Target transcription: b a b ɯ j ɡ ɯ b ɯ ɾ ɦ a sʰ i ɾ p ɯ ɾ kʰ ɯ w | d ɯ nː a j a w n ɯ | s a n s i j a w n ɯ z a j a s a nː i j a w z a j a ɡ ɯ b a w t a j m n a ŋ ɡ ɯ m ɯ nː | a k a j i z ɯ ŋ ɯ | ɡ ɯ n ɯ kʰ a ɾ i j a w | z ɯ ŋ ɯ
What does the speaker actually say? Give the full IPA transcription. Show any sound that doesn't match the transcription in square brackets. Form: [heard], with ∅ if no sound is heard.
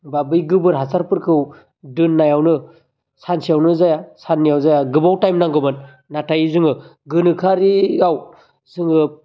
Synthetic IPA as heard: b a b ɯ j ɡ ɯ b ɯ ɾ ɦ a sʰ [a] ɾ p ɯ ɾ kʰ ɯ w | d ɯ nː a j a w n ɯ | s a n s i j a w n ɯ z a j a s a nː i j a w z a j a ɡ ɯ b a w t a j m n a ŋ ɡ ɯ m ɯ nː | a [t] a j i z ɯ ŋ ɯ | ɡ ɯ n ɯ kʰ a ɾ i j a w | z ɯ ŋ ɯ